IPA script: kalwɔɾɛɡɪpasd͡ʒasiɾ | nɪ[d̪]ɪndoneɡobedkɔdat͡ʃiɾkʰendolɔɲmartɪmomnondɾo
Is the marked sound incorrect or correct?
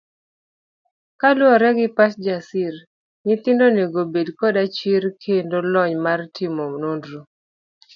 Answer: incorrect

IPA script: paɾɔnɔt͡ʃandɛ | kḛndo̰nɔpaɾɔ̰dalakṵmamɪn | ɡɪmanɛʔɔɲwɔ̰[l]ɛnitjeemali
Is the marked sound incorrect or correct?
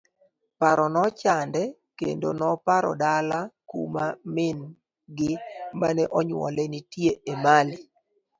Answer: correct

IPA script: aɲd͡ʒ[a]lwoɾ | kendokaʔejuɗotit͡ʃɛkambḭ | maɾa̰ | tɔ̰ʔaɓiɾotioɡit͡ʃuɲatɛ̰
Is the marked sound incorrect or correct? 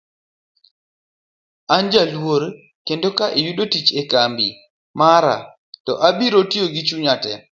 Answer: correct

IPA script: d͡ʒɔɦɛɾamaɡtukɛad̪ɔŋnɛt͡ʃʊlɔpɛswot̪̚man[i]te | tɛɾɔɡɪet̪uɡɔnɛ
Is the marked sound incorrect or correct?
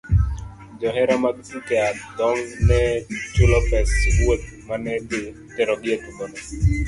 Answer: incorrect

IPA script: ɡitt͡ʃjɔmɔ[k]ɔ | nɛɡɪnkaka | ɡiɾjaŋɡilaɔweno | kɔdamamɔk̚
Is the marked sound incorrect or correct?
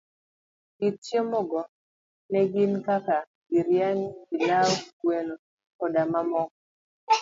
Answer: incorrect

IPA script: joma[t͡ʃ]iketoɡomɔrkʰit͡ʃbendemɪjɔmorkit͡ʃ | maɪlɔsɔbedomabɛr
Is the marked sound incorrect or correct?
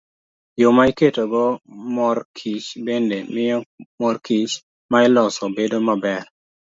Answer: incorrect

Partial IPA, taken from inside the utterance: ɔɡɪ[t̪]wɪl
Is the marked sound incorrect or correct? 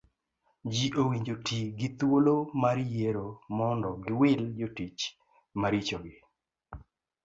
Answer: incorrect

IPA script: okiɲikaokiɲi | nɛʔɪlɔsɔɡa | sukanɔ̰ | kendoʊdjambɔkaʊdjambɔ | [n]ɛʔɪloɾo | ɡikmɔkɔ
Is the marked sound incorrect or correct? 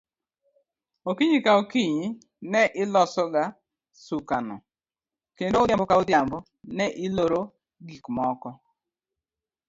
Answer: correct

